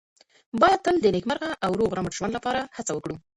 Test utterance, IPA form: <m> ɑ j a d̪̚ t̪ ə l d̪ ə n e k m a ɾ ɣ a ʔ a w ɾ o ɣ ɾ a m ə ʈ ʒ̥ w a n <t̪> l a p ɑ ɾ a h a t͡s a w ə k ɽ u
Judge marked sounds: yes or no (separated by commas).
no, no